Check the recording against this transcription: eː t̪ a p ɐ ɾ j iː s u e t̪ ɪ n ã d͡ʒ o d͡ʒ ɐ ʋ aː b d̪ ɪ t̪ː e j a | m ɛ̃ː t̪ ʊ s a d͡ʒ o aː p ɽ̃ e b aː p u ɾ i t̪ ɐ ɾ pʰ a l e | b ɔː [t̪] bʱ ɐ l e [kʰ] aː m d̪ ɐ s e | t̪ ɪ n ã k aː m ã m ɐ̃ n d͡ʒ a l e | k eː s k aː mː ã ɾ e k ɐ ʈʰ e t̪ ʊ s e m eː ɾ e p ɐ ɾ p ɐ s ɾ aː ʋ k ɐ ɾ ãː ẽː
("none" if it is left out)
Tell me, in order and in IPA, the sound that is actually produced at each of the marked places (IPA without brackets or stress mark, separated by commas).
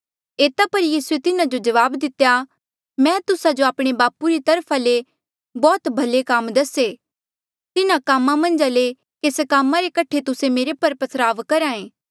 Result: t̪, k